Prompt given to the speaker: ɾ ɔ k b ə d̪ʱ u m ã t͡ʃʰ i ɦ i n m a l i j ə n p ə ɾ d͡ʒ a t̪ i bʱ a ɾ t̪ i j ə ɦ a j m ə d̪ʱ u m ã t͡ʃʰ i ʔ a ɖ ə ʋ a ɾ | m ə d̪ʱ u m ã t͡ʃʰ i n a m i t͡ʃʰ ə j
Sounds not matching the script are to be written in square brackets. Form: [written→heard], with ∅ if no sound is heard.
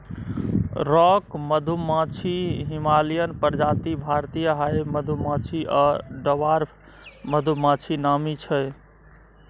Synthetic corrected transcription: ɾ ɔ k [b→m] ə d̪ʱ u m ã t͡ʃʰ i ɦ i [n→∅] m a l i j ə n p ə ɾ d͡ʒ a t̪ i bʱ a ɾ t̪ i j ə ɦ a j m ə d̪ʱ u m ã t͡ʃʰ i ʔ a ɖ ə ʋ a ɾ | m ə d̪ʱ u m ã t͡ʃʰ i n a m i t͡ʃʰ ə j